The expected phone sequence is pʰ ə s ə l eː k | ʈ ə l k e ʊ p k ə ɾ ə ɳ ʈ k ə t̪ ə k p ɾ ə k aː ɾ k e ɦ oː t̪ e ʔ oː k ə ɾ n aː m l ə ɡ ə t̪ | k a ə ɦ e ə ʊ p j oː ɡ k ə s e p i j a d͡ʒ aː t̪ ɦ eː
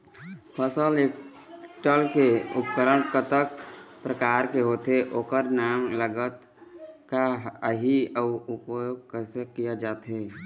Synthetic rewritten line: pʰ ə s ə l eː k | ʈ ə l k e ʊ p k ə ɾ ə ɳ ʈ k ə t̪ ə k p ɾ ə k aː ɾ k e ɦ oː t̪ e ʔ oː k ə ɾ n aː m l ə ɡ ə t̪ | k a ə ɦ i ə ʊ p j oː ɡ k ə s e k i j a d͡ʒ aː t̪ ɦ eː

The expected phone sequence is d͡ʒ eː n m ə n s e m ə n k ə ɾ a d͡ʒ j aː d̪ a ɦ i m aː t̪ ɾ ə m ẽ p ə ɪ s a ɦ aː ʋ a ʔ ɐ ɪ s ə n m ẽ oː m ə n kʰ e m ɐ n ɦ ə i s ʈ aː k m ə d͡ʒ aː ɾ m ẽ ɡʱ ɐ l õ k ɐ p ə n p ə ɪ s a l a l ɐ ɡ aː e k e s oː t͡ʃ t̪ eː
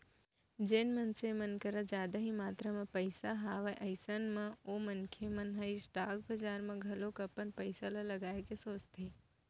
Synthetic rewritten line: d͡ʒ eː n m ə n s e m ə n k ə ɾ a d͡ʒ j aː d̪ a ɦ i m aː t̪ ɾ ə m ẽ p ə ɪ s a ɦ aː ʋ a ʔ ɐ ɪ s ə n m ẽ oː m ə n kʰ e m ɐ n ɦ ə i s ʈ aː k b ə d͡ʒ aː ɾ m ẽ ɡʱ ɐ l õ k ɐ p ə n p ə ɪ s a l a l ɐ ɡ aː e k e s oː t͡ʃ t̪ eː

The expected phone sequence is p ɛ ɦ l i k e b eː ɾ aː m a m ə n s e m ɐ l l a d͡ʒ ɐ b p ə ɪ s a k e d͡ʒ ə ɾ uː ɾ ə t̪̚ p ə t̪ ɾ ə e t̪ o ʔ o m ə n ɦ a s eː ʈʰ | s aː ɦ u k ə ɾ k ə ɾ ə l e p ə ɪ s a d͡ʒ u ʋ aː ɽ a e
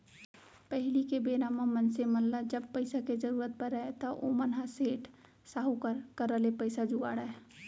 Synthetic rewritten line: p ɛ ɦ l i k e b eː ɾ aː m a m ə n s e m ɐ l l a d͡ʒ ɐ b p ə ɪ s a k e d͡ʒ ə ɾ uː ɾ ə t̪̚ p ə ɾ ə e t̪ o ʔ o m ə n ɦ a s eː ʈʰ | s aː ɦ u k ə ɾ k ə ɾ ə l e p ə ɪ s a d͡ʒ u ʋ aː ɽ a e

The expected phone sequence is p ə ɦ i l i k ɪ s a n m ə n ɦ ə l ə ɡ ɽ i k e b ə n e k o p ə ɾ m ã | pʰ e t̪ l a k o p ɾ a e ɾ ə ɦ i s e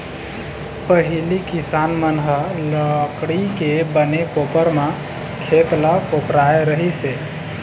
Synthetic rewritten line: p ə ɦ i l i k i s a n m ə n ɦ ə l ə k ɽ i k e b ə n e k o p ə ɾ m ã | kʰ e t̪ l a k o p ɾ a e ɾ ə ɦ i s e

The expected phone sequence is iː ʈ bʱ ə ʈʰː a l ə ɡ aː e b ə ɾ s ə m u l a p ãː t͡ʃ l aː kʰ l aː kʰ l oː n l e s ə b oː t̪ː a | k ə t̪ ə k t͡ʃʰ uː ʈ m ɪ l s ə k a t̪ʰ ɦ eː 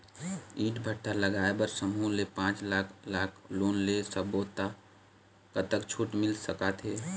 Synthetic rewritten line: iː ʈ bʱ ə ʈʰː a l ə ɡ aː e b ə ɾ s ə m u l e p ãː t͡ʃ l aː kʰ l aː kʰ l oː n l e s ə b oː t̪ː a | k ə t̪ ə k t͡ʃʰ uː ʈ m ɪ l s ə k a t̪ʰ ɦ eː

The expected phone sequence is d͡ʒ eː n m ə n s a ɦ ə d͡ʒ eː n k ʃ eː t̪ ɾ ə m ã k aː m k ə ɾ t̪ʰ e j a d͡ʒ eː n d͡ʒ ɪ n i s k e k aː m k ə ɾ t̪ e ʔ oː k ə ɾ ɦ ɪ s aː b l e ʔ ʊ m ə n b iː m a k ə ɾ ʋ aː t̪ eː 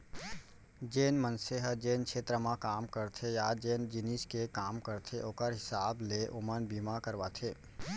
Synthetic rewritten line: d͡ʒ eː n m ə n s e ɦ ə d͡ʒ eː n k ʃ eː t̪ ɾ ə m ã k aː m k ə ɾ t̪ʰ e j a d͡ʒ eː n d͡ʒ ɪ n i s k e k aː m k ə ɾ t̪ʰ e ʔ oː k ə ɾ ɦ ɪ s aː b l e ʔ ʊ m ə n b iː m a k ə ɾ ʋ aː t̪ʰ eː

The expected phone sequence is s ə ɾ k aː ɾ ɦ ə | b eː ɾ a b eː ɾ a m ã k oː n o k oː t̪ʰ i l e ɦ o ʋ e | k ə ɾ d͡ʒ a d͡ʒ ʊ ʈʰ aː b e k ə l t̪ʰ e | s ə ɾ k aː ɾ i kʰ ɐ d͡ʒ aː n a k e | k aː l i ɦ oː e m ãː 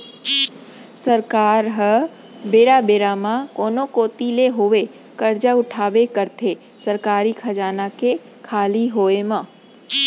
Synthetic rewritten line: s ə ɾ k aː ɾ ɦ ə | b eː ɾ a b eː ɾ a m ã k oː n o k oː t̪ i l e ɦ o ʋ e | k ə ɾ d͡ʒ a ʊ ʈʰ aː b e k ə ɾ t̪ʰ e | s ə ɾ k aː ɾ i kʰ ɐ d͡ʒ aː n a k e | kʰ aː l i ɦ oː e m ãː

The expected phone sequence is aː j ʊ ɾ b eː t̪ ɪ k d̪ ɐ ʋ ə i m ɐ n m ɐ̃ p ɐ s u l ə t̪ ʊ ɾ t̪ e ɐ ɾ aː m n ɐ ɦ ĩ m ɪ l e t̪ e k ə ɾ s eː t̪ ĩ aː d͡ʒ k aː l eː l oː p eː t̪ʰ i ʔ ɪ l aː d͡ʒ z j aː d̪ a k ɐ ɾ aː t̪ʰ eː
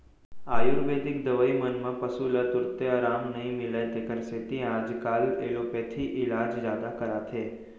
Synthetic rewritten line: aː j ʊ ɾ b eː d̪ ɪ k d̪ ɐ ʋ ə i m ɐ n m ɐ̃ p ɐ s u l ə t̪ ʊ ɾ t̪ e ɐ ɾ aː m n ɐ ɦ ĩ m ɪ l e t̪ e k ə ɾ s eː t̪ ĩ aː d͡ʒ k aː l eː l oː p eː t̪ʰ i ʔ ɪ l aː d͡ʒ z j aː d̪ a k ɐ ɾ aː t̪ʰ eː

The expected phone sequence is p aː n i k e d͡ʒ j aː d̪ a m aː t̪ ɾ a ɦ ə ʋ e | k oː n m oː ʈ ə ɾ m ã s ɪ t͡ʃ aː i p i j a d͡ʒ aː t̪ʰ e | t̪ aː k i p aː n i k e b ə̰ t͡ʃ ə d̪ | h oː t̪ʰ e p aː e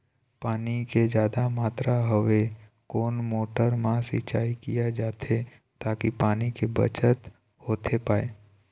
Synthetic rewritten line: p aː n i k e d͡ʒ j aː d̪ a m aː t̪ ɾ a ɦ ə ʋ e | k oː n m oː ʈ ə ɾ m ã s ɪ t͡ʃ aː i k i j a d͡ʒ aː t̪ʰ e | t̪ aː k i p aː n i k e b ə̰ t͡ʃ ə t̪ | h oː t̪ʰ e p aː e

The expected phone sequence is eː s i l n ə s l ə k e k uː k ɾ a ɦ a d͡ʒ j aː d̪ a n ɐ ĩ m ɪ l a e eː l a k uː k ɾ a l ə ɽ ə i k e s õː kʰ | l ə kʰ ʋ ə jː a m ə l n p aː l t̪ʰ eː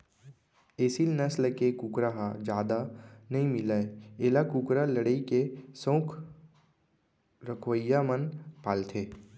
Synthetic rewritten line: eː s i l n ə s l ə k e k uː k ɾ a ɦ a d͡ʒ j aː d̪ a n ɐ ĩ m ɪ l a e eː l a k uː k ɾ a l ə ɽ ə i k e s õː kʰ | ɾ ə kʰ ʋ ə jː a m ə n p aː l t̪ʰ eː

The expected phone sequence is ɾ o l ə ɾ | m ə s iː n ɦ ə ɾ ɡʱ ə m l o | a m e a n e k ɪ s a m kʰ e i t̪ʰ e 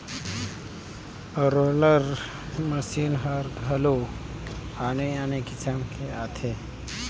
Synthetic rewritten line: ɾ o l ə ɾ | m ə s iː n ɦ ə ɾ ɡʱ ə l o | a n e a n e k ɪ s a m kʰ e a t̪ʰ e

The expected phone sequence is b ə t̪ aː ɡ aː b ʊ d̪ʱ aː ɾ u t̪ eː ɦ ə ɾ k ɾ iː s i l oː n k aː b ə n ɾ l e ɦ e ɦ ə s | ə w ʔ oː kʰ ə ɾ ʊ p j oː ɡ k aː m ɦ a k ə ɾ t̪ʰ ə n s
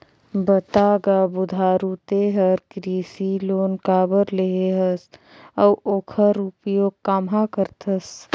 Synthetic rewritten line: b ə t̪ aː ɡ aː b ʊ d̪ʱ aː ɾ u t̪ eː ɦ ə ɾ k ɾ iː s i l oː n k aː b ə ɾ l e ɦ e ɦ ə s | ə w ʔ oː kʰ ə ɾ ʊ p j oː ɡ k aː m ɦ a k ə ɾ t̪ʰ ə s

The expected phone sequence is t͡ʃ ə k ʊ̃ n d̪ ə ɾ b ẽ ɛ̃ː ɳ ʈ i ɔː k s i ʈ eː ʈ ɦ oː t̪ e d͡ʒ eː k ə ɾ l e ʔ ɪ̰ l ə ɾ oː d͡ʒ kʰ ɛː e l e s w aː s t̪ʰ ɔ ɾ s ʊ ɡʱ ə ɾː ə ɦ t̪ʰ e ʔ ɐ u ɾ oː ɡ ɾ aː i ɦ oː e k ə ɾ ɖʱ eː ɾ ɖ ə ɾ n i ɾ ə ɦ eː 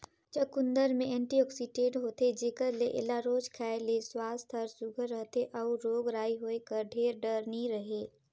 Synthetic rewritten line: t͡ʃ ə k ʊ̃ n d̪ ə ɾ m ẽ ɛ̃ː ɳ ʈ i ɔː k s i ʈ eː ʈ ɦ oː t̪ e d͡ʒ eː k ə ɾ l e ʔ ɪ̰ l a ɾ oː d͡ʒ kʰ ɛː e l e s w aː s t̪ʰ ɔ ɾ s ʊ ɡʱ ə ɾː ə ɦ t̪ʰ e ʔ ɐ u ɾ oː ɡ ɾ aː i ɦ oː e k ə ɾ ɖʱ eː ɾ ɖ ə ɾ n i ɾ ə ɦ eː

